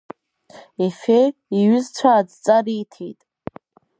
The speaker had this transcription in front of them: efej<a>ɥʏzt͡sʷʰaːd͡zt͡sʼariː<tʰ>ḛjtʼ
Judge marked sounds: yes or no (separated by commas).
no, yes